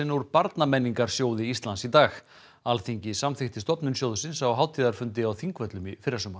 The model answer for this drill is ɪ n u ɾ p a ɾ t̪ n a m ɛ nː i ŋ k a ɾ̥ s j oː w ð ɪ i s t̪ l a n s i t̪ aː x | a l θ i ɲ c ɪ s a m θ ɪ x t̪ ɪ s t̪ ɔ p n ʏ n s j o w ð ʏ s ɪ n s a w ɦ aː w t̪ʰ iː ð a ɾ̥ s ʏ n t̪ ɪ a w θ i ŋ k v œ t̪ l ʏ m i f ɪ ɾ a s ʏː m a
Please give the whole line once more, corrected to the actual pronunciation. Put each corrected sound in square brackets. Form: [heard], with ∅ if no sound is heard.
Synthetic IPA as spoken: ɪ n u ɾ p a ɾ t̪ n a m ɛ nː i ŋ k a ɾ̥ s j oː w ð ɪ i s t̪ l a n s i t̪ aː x | a l θ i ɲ c ɪ s a m θ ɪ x t̪ ɪ s t̪ ɔ p n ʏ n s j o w ð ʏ s ɪ n s a w ɦ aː w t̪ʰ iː ð a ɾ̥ [f] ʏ n t̪ ɪ a w θ i ŋ k v œ t̪ l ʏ m i f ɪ ɾ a s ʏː m a